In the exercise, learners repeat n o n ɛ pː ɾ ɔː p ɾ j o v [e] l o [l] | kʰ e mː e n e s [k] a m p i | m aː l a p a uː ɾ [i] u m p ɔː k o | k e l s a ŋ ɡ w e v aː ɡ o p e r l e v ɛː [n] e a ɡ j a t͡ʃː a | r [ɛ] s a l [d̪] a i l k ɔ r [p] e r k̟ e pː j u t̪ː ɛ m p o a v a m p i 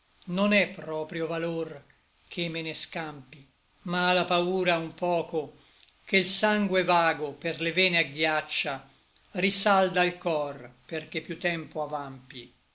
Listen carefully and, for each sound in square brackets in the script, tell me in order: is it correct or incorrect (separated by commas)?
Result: incorrect, incorrect, correct, incorrect, correct, incorrect, correct, correct